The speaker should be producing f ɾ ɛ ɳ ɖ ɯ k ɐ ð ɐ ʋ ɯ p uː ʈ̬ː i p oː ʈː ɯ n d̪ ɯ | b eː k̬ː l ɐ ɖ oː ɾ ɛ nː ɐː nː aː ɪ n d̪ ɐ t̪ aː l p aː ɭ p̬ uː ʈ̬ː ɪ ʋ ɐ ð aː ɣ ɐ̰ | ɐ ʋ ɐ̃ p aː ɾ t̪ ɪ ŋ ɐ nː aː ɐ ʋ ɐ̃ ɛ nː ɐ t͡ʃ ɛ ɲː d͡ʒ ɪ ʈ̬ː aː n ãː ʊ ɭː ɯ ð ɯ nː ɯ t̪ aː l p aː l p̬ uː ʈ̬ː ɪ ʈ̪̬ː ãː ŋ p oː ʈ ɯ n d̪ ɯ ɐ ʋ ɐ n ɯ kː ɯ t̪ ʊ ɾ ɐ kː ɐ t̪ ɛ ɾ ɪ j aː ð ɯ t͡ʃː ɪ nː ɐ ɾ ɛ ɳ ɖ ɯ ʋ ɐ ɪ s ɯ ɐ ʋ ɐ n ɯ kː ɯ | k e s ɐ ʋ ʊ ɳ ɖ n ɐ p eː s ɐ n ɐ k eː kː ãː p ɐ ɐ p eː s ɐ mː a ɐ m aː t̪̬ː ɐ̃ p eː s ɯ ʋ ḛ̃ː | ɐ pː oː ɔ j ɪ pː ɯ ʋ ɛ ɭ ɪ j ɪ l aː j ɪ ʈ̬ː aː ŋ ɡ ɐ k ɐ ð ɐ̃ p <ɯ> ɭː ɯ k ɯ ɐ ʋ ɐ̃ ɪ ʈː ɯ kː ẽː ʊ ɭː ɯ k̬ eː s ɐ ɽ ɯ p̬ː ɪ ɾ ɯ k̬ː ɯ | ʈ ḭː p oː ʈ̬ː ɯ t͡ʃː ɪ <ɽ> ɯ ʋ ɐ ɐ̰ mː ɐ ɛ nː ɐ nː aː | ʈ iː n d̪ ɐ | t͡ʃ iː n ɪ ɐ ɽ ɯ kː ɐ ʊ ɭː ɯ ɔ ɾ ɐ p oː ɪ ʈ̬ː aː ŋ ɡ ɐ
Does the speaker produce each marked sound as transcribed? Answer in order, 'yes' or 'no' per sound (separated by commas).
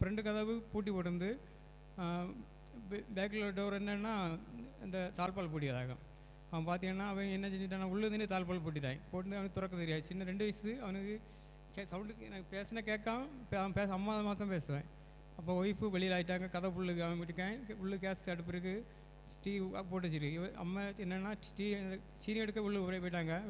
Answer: no, no